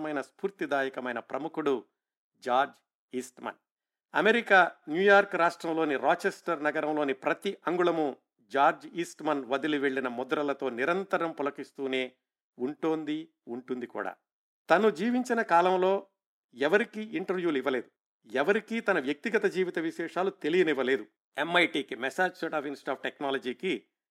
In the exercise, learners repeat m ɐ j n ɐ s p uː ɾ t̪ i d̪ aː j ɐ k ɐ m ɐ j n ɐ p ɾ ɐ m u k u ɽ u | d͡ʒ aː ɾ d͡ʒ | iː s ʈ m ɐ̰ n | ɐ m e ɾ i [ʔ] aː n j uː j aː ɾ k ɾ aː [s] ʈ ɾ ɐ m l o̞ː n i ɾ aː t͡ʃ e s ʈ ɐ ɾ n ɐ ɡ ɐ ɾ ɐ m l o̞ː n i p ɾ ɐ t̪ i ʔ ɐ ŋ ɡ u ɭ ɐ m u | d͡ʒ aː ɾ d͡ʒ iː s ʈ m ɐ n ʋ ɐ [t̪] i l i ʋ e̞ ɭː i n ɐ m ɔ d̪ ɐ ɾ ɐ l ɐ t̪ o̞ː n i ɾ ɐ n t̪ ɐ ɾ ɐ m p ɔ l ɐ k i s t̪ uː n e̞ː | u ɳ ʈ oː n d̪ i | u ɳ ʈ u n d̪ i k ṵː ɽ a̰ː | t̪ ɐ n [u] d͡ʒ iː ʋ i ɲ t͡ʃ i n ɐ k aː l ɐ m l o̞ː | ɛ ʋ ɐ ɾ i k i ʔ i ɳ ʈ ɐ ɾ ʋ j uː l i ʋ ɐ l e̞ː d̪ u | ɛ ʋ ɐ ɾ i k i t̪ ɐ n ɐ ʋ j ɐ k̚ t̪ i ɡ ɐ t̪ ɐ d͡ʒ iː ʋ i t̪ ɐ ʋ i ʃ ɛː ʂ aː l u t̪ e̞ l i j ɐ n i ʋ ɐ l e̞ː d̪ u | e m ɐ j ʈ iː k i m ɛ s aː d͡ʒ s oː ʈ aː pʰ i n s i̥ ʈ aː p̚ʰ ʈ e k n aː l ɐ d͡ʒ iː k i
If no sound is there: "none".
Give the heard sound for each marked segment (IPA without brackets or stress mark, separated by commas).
k, ʂ, d̪, u